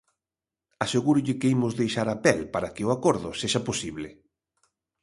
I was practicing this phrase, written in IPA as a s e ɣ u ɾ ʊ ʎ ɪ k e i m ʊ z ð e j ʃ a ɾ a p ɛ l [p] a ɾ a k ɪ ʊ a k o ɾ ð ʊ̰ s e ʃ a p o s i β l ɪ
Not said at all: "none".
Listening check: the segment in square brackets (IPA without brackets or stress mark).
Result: p